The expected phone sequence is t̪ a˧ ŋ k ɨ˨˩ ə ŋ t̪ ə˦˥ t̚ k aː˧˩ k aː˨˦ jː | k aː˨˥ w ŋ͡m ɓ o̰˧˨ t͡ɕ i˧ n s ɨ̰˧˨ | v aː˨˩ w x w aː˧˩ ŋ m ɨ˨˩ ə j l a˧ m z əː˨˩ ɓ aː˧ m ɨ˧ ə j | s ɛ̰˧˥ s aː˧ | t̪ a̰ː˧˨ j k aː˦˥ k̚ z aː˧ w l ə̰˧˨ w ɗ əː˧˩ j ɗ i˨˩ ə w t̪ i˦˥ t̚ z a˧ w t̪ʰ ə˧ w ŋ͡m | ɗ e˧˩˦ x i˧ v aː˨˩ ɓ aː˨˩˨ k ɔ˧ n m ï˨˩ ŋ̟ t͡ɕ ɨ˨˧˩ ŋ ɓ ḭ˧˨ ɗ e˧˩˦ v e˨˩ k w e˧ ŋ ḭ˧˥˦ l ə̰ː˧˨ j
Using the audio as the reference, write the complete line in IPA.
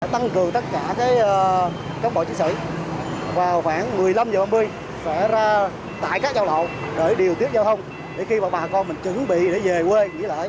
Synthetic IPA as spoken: t̪ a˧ ŋ k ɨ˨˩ ə ŋ t̪ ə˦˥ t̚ k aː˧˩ k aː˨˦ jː | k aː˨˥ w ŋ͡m ɓ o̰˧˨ t͡ɕ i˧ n s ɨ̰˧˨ | v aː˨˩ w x w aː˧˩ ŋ m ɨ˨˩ ə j l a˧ m z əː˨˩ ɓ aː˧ m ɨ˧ ə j | s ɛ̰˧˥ z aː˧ | t̪ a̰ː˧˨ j k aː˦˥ k̚ z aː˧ w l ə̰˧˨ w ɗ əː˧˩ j ɗ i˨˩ ə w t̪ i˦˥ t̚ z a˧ w t̪ʰ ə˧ w ŋ͡m | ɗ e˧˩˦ x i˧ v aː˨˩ ɓ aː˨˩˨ k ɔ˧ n m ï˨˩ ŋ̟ t͡ɕ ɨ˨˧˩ ŋ ɓ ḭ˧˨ ɗ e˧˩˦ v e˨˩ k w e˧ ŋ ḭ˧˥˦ l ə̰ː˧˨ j